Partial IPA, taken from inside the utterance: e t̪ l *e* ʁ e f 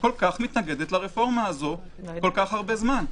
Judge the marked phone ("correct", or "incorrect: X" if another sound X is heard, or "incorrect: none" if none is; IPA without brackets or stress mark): incorrect: a